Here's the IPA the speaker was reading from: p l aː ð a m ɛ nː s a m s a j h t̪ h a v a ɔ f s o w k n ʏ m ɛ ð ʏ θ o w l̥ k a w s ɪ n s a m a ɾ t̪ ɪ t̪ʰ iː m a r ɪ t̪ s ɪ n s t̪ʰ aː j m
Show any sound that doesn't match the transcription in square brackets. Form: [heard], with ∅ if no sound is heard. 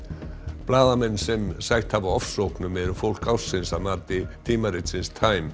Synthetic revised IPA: p l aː ð a m ɛ nː s [ɛ] m s a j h t̪ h a v a ɔ f s o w k n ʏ m ɛ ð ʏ [f] o w l̥ k a w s ɪ n s a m a ɾ t̪ ɪ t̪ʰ iː m a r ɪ t̪ s ɪ n s t̪ʰ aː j m